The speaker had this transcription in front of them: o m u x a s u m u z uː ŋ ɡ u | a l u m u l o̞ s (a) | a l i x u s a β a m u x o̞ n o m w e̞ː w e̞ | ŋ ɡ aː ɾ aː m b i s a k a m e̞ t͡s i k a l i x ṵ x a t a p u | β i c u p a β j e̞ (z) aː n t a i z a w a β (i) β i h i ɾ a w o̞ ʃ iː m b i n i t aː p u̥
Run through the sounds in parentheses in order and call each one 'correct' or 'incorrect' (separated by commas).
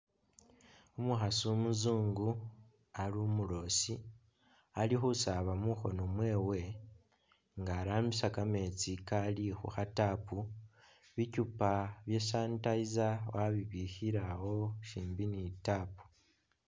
incorrect, incorrect, correct